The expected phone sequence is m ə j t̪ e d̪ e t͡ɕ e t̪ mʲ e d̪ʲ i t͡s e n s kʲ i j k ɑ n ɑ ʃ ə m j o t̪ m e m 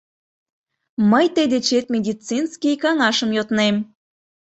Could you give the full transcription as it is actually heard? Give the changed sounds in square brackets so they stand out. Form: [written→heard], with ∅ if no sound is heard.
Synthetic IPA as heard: m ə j t̪ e d̪ e t͡ɕ e t̪ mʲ e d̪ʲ i t͡s [e→i] n s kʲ i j k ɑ [n→ŋ] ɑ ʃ ə m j o t̪ [m→n] e m